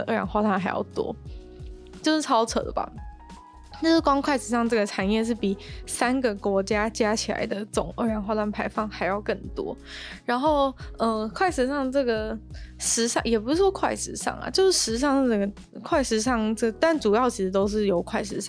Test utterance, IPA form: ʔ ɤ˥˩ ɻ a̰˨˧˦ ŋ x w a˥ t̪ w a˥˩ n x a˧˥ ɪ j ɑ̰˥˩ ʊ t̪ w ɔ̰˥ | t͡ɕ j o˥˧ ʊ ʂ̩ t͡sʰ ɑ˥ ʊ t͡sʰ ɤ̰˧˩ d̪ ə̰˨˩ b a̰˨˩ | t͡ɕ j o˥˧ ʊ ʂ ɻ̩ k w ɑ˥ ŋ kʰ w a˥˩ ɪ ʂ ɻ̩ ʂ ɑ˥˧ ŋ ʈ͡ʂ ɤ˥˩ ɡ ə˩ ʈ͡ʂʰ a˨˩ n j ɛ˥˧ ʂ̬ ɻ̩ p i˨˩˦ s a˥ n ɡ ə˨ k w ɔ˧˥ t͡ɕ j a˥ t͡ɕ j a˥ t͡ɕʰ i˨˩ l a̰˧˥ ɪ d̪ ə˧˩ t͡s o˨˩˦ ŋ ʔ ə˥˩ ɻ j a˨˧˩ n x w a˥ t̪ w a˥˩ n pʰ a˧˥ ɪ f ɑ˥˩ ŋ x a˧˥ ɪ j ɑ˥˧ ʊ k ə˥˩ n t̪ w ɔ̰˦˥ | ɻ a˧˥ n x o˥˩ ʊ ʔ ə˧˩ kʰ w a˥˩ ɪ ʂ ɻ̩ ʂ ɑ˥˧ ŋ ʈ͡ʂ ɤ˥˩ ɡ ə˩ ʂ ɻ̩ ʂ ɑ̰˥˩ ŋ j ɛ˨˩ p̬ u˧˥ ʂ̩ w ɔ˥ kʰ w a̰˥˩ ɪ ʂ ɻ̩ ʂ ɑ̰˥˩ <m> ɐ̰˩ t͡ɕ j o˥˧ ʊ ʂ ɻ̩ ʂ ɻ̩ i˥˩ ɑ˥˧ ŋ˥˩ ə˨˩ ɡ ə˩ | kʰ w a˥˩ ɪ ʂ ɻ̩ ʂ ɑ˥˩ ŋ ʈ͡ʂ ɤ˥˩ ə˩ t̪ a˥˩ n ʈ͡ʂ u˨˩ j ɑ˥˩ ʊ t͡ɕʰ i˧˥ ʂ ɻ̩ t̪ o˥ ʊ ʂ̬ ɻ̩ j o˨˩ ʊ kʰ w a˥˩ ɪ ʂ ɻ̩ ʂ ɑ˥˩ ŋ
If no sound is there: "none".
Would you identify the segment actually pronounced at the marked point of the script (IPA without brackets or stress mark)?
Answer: ŋ